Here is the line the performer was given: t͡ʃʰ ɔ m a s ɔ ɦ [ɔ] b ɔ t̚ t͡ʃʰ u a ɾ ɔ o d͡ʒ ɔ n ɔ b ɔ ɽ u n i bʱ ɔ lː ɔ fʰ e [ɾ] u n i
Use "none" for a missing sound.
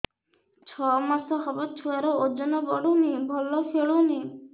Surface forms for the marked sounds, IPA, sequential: ɔ, ɭ

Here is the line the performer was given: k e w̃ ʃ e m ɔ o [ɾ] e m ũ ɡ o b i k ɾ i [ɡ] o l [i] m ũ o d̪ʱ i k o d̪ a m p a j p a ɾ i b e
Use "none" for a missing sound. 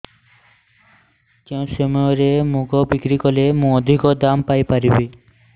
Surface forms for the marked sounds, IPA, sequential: ɾ, k, e

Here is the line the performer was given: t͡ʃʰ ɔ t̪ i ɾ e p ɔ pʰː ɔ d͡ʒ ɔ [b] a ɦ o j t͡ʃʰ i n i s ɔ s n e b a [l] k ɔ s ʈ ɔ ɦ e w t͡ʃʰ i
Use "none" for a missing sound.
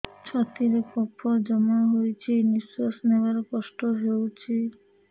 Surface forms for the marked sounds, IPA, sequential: m, ɾ

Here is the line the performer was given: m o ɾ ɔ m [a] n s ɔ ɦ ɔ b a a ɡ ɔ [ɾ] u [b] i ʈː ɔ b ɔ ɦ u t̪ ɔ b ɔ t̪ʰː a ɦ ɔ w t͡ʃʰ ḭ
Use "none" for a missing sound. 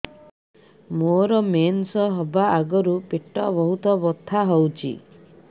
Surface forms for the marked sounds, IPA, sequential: e, ɾ, p

